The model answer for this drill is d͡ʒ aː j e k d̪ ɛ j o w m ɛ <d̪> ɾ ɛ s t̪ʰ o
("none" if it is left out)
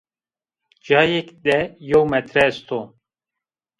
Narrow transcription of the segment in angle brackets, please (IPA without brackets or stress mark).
t̪